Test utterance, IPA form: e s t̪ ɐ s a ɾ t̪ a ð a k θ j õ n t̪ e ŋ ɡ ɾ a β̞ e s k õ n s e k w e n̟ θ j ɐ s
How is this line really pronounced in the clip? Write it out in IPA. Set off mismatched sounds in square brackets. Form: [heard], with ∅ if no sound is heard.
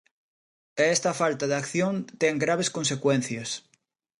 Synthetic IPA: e s t̪ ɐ [f] a [l] t̪ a ð a k θ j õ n t̪ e ŋ ɡ ɾ a β̞ e s k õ n s e k w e n̟ θ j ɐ s

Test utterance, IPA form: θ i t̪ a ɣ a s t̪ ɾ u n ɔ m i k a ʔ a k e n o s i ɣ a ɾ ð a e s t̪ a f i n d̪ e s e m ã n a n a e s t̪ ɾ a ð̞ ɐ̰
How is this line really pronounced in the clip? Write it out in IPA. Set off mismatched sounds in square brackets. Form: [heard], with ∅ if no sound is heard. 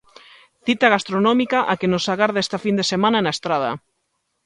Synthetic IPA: θ i t̪ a ɣ a s t̪ ɾ [o] n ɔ m i k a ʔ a k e n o s [a] ɣ a ɾ ð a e s t̪ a f i n d̪ e s e m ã n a n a e s t̪ ɾ a ð̞ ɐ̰

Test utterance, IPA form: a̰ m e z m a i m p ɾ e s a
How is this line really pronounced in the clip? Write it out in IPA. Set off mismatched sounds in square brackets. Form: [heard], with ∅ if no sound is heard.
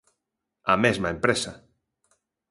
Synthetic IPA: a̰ m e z m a [e] m p ɾ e s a

